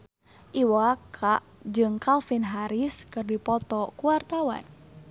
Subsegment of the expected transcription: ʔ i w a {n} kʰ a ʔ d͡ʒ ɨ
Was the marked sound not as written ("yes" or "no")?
yes